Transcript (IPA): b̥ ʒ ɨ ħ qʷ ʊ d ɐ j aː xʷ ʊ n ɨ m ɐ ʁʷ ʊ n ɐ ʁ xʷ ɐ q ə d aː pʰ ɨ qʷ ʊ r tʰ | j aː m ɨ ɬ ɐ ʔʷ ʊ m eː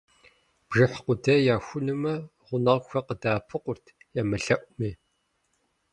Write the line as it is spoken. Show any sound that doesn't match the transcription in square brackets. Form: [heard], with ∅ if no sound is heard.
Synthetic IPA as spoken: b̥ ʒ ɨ ħ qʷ ʊ d ɐ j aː xʷ ʊ n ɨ m ɐ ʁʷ ʊ n ɐ ʁ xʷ ɐ q ə d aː pʰ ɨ qʷ ʊ r tʰ | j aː m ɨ ɬ ɐ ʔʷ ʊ m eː